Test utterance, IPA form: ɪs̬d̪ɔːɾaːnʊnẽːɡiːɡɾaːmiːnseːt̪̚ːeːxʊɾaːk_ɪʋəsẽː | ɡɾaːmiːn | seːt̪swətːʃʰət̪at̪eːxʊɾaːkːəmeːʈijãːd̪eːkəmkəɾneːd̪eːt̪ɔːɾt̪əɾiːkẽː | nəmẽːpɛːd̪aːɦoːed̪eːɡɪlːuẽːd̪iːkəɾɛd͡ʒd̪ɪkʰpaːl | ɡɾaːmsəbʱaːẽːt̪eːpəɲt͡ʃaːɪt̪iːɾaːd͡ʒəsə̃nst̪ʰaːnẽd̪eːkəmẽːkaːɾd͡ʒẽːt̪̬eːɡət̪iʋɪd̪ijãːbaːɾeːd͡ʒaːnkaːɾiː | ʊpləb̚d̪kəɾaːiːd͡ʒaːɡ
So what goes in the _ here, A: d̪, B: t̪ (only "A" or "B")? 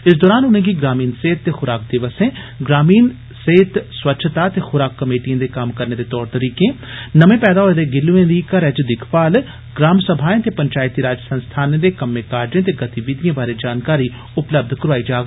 A